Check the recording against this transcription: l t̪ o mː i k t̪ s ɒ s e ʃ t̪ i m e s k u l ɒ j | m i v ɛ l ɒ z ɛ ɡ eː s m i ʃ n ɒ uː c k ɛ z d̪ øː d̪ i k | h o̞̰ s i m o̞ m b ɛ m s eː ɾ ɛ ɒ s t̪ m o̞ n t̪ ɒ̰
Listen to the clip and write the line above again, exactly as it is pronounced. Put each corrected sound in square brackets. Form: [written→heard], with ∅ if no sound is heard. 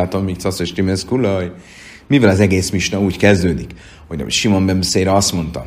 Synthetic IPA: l t̪ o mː i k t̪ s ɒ s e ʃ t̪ i m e s k u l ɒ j | m i v ɛ l ɒ z ɛ ɡ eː s m i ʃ n ɒ uː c k ɛ z d̪ øː d̪ i k | h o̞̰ [s→ʃ] i m o̞ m b ɛ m s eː ɾ ɛ ɒ s t̪ m o̞ n t̪ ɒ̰